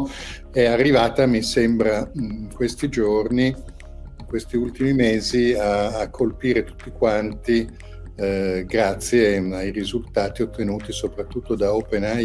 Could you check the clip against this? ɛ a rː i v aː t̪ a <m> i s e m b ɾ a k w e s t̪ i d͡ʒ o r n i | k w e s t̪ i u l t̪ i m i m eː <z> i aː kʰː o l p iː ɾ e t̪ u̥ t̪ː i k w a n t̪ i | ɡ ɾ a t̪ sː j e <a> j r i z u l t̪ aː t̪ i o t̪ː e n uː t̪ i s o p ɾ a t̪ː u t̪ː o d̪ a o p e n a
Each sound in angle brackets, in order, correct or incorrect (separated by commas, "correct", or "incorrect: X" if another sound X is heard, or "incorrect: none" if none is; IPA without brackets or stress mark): correct, correct, correct